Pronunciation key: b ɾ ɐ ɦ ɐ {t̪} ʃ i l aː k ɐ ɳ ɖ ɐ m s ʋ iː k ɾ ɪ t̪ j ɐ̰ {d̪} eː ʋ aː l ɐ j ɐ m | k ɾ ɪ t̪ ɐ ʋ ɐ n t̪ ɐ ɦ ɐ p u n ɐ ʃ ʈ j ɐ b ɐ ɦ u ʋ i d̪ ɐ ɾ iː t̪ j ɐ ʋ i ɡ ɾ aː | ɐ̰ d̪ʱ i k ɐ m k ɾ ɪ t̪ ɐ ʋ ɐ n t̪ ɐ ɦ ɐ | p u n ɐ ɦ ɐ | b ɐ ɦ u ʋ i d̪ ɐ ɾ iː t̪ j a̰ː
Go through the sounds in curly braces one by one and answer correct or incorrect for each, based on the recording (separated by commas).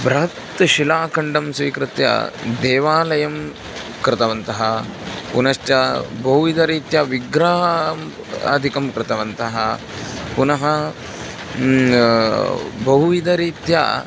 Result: correct, correct